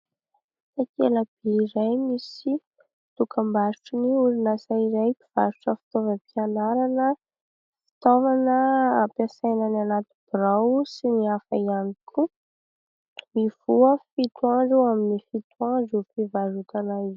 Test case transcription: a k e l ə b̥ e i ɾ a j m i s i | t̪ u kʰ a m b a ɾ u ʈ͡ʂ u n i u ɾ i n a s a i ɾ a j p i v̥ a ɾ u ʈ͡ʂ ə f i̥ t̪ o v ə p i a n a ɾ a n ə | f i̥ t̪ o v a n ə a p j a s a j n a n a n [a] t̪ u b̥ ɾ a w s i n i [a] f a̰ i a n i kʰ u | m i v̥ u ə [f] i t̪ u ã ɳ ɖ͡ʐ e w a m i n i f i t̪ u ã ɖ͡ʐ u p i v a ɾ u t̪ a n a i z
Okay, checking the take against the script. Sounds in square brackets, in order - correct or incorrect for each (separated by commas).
correct, correct, correct